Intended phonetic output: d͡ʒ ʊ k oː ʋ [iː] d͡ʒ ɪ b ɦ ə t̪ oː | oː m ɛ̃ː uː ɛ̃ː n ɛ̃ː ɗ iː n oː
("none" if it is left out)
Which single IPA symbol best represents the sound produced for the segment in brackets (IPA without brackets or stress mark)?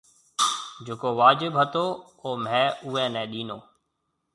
aː